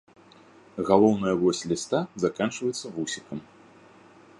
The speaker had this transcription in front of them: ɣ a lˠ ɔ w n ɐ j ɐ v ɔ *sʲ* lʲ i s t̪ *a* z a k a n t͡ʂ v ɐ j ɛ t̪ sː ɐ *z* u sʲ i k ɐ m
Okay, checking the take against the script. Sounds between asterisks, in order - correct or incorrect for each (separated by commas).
correct, correct, incorrect